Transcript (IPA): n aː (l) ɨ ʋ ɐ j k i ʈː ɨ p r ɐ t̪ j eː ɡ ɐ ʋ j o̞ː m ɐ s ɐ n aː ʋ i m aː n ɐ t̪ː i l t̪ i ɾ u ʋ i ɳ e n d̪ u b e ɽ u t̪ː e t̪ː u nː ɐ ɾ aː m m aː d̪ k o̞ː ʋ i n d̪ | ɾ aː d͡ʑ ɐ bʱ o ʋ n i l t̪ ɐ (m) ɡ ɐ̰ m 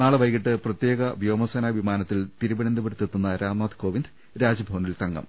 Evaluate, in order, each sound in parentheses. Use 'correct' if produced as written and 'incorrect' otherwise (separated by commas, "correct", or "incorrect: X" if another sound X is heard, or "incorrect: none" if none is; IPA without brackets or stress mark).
incorrect: ɭ, incorrect: ŋ